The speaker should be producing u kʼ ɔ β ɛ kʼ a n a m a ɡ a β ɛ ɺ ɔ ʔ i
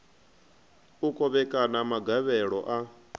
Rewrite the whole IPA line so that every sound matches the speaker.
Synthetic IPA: u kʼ ɔ β ɛ kʼ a n a m a ɡ a β ɛ ɺ ɔ ʔ a